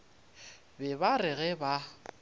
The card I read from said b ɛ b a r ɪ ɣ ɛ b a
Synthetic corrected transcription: b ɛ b a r ɪ ɣ ɛ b a